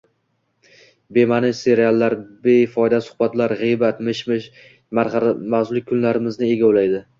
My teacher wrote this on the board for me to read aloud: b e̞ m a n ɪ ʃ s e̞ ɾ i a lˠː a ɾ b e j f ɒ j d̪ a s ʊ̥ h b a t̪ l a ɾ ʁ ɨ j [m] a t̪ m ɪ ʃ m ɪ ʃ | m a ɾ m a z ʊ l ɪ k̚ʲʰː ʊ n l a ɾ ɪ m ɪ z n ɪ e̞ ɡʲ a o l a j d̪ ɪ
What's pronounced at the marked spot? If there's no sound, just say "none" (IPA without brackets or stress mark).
b